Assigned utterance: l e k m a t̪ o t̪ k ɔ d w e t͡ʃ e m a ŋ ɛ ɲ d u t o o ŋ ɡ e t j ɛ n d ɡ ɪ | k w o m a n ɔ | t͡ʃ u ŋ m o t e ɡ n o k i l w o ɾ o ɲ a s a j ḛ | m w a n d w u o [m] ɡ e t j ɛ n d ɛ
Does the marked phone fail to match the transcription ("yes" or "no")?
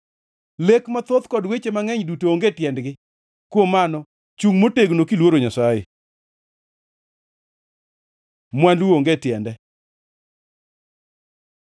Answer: yes